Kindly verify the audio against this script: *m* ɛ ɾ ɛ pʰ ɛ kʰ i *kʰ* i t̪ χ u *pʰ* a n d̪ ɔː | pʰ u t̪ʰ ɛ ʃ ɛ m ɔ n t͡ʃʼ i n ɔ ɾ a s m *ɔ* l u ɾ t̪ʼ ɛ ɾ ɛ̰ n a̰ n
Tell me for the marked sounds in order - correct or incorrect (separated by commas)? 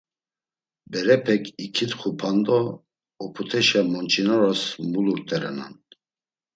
incorrect, correct, correct, incorrect